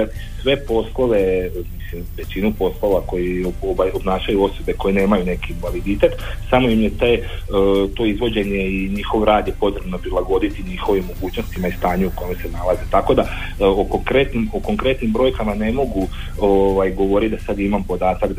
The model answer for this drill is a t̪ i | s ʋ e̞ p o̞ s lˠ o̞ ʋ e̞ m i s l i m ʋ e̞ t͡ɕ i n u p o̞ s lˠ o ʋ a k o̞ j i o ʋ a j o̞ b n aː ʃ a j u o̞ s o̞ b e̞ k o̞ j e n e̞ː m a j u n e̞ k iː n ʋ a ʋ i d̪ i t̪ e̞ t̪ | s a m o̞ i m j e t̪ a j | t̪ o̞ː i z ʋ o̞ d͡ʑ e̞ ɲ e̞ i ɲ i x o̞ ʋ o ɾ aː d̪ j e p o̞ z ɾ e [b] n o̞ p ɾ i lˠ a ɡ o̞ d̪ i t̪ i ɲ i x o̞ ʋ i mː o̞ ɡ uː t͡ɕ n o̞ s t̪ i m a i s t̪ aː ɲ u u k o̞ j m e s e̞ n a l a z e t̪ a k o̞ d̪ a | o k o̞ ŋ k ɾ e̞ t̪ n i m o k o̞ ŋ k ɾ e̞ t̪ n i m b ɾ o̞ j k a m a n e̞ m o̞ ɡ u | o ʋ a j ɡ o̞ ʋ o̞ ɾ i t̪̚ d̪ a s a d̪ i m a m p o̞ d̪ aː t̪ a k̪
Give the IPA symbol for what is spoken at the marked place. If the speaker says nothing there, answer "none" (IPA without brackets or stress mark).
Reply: b